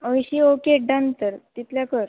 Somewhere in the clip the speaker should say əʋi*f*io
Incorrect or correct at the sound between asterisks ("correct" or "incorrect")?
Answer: incorrect